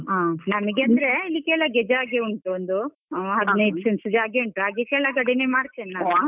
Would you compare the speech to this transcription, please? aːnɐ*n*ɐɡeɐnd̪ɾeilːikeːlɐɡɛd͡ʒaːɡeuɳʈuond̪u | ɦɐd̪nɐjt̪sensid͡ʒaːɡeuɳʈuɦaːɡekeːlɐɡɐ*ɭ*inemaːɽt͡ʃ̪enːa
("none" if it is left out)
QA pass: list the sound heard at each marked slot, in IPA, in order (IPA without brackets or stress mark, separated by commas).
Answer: m, ɽ